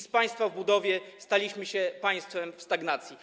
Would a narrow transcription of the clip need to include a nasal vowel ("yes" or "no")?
no